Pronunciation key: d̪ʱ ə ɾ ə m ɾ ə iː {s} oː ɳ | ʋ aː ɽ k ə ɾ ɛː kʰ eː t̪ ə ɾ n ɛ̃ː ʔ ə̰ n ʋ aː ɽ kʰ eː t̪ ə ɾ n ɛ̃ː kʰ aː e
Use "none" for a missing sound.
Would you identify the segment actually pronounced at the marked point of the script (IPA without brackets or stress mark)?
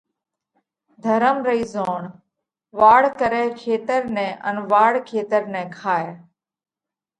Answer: z